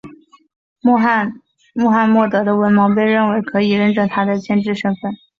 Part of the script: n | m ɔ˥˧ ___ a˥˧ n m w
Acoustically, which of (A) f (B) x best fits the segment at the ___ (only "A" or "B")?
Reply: B